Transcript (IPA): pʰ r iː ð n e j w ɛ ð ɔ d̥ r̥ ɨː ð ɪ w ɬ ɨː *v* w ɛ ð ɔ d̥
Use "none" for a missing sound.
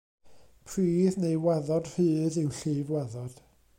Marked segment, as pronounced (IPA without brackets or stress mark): v